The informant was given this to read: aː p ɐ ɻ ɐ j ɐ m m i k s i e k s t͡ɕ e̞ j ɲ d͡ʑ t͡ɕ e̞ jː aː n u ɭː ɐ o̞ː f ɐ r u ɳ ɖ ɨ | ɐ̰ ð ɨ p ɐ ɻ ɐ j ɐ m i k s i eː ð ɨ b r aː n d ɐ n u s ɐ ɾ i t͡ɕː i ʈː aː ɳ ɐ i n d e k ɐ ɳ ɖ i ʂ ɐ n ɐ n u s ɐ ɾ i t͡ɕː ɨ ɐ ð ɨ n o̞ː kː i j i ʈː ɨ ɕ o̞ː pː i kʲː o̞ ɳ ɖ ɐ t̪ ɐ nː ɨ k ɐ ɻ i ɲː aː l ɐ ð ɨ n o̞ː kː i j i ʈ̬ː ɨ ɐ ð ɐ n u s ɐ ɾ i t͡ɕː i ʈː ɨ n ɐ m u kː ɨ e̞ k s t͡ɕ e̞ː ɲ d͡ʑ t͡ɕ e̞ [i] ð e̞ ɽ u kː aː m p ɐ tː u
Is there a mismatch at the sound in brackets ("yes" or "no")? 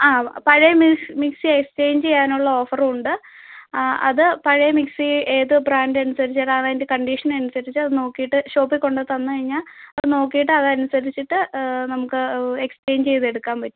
yes